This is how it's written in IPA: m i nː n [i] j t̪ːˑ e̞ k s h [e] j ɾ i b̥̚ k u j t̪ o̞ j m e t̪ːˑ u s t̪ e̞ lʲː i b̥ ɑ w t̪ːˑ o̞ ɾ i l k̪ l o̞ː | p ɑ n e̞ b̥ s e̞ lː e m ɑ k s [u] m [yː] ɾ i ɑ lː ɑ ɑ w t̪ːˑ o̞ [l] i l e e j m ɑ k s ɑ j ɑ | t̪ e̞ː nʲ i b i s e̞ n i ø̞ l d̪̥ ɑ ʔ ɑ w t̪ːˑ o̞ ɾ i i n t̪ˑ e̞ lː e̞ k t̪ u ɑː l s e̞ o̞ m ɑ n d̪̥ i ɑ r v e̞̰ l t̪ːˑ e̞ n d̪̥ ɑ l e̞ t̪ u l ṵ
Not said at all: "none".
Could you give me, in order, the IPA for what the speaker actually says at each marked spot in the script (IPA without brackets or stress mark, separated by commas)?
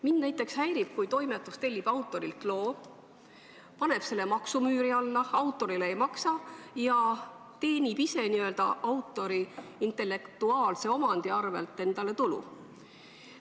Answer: æ, æ, u, yː, ɾ